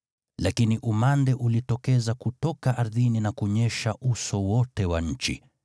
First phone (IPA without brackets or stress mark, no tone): l